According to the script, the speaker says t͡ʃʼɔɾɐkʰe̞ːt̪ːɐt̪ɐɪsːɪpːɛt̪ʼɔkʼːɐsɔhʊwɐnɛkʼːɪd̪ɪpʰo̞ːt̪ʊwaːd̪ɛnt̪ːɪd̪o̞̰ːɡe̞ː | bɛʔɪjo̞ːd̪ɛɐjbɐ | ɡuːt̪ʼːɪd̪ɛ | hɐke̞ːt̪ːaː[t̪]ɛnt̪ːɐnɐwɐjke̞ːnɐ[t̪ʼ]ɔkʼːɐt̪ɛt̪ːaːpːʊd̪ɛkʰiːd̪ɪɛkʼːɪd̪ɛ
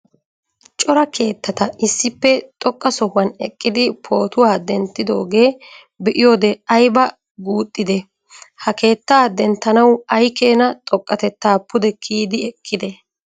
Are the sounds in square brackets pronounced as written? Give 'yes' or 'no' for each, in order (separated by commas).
no, yes